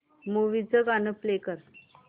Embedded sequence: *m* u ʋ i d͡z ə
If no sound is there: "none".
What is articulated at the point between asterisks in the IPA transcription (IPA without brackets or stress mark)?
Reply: m